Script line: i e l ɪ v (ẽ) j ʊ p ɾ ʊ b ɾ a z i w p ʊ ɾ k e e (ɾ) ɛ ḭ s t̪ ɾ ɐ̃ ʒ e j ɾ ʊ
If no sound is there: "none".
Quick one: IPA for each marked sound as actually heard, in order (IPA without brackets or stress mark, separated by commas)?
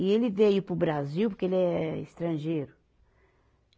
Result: e, l